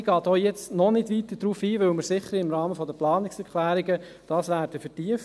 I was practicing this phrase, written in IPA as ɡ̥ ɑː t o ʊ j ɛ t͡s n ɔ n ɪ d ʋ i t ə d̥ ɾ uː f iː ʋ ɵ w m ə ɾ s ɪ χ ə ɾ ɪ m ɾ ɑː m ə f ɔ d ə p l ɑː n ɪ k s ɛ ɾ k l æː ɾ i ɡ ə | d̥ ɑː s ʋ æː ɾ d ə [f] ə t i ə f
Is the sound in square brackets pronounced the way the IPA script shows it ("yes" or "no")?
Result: yes